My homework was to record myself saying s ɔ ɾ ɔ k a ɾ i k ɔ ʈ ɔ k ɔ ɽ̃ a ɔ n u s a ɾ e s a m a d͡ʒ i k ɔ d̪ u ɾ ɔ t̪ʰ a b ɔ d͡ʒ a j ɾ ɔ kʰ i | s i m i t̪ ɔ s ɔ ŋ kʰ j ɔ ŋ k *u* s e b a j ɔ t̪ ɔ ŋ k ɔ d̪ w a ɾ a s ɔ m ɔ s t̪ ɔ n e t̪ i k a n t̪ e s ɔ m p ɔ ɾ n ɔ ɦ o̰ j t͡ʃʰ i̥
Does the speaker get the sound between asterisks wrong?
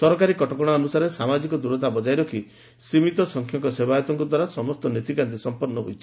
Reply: yes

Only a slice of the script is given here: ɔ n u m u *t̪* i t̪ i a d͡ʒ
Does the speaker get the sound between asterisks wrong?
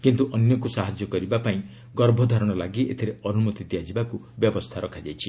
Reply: no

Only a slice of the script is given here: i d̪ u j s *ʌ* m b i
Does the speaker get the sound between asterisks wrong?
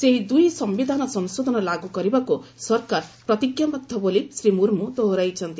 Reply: no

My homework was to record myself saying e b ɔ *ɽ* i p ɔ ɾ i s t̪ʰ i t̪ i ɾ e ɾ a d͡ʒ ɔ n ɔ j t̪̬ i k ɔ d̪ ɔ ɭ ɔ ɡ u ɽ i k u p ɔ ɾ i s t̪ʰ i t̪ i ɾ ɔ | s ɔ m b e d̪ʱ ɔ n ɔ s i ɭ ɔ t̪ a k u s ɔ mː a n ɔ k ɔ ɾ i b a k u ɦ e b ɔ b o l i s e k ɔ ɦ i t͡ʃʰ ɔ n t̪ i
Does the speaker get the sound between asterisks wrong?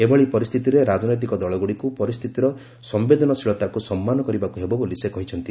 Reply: yes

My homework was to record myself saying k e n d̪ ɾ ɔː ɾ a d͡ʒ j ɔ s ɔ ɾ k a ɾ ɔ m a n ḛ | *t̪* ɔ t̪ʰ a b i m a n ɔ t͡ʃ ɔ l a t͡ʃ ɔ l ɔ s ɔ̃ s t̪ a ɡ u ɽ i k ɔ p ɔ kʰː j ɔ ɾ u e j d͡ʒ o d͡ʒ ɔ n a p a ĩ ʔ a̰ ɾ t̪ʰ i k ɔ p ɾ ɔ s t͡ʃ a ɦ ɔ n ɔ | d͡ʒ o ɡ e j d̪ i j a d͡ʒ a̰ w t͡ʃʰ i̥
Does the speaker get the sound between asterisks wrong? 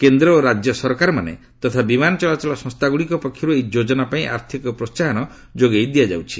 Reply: no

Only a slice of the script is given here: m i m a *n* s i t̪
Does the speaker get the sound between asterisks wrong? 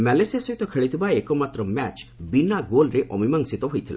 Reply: yes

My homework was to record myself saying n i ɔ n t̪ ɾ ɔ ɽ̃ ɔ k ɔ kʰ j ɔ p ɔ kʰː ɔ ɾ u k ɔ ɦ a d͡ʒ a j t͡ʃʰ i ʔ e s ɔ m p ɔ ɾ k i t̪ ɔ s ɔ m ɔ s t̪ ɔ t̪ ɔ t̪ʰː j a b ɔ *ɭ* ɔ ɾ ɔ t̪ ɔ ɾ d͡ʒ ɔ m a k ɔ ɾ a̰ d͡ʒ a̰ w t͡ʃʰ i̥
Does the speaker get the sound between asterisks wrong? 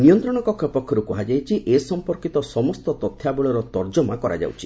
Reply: no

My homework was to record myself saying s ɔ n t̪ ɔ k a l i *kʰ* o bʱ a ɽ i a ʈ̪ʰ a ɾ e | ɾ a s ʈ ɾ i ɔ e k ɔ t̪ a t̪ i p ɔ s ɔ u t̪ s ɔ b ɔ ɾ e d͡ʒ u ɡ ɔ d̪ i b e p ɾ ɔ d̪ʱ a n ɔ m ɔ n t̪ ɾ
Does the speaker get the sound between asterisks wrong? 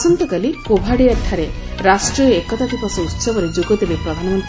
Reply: yes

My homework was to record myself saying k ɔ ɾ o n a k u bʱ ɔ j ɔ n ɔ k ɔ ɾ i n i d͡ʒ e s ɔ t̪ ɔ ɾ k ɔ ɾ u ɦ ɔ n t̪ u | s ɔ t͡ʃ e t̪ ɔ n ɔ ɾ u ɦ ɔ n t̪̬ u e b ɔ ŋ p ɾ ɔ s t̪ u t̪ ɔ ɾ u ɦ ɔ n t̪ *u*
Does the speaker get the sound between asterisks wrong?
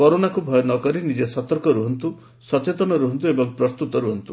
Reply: no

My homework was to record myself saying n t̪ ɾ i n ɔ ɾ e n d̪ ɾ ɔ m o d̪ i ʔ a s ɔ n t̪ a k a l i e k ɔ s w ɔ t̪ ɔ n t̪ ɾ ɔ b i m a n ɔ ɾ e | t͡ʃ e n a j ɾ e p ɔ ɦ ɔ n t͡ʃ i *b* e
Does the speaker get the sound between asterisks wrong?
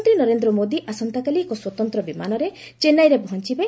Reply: no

